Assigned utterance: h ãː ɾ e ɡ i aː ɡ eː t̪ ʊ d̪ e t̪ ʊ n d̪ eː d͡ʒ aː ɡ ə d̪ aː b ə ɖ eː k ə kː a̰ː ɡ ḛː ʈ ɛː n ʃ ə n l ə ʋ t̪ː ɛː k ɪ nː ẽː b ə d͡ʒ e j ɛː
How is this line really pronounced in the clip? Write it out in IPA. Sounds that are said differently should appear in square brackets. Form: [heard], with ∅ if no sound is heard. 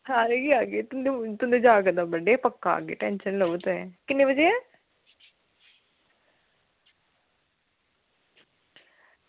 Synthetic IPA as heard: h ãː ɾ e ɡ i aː ɡ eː t̪ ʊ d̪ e t̪ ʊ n d̪ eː d͡ʒ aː ɡ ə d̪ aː b ə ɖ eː [p] ə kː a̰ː ɡ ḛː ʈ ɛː n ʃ ə n l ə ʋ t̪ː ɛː k ɪ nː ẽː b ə d͡ʒ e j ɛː